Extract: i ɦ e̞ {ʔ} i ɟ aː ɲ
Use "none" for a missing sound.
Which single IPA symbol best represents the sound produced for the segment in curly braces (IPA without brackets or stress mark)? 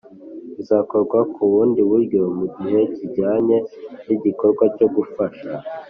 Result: c